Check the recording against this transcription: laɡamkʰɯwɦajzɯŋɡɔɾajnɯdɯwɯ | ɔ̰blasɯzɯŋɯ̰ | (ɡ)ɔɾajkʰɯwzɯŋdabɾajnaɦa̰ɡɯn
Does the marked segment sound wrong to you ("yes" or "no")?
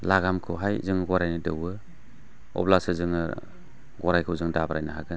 no